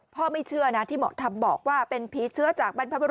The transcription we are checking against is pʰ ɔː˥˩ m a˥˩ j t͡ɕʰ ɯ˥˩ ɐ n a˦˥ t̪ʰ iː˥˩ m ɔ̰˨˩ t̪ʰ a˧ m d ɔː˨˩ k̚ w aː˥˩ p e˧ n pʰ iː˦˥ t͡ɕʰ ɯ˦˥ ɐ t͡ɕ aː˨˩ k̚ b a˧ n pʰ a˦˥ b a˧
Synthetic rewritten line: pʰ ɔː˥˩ m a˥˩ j t͡ɕʰ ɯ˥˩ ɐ n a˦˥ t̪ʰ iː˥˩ m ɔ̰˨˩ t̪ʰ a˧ m b ɔː˨˩ k̚ w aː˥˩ p e˧ n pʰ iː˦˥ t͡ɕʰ ɯ˦˥ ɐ t͡ɕ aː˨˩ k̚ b a˧ n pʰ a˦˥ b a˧